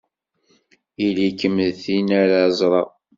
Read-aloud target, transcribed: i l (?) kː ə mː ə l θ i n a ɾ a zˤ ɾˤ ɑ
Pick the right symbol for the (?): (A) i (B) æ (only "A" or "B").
A